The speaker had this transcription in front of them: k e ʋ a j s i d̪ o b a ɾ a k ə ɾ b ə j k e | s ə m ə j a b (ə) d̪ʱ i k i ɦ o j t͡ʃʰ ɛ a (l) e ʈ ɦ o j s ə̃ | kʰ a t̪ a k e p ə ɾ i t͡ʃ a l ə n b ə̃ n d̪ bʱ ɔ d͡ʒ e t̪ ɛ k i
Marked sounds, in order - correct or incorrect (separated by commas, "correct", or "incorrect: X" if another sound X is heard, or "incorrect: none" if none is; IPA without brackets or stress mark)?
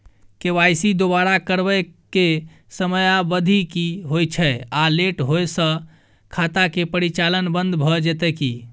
correct, correct